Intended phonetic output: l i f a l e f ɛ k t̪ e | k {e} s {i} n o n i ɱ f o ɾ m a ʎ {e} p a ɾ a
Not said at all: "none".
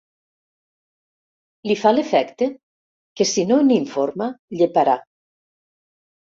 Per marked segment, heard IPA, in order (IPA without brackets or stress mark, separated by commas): e, i, e